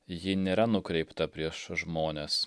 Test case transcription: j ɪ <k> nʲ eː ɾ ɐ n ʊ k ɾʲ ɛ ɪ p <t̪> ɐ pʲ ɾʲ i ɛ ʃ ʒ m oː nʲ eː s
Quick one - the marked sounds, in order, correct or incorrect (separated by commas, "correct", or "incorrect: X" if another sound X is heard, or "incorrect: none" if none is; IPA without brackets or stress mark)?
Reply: incorrect: none, correct